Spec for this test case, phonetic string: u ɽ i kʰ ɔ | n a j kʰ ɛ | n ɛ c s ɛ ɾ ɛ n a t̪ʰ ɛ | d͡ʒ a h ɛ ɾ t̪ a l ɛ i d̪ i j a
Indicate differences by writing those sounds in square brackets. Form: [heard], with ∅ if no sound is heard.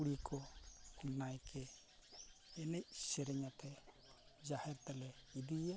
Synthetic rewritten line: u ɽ i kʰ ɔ | n a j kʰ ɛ | n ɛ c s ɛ ɾ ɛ [ɲ] a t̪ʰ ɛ | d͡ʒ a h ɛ ɾ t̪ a l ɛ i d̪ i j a